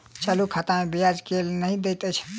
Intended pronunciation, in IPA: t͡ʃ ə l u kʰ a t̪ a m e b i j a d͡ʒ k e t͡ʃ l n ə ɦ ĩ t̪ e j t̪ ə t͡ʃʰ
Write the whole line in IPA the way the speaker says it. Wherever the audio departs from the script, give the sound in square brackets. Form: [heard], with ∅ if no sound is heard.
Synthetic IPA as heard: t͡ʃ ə l u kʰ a t̪ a m e b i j a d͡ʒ k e [∅] l n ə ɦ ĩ [d̪] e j t̪ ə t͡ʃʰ